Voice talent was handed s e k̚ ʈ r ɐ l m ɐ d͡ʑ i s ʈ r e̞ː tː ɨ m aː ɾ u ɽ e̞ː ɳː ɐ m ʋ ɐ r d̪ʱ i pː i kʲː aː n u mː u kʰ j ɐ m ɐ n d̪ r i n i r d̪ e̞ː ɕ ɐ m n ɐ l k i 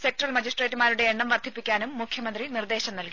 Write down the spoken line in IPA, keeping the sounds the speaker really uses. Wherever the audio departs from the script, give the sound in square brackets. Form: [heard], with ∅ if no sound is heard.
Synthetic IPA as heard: s e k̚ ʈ r ɐ l m ɐ d͡ʑ i s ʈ r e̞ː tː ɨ m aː ɾ u ɽ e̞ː ɳː ɐ m ʋ ɐ r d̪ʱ i pː i kʲː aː n u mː u kʰ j ɐ m ɐ n d̪ r i n i r d̪ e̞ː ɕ ɐ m n ɐ l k i